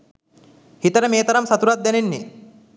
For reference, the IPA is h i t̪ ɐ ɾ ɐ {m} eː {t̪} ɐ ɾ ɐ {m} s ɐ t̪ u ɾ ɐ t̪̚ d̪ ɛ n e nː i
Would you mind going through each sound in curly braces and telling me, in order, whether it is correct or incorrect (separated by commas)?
correct, correct, correct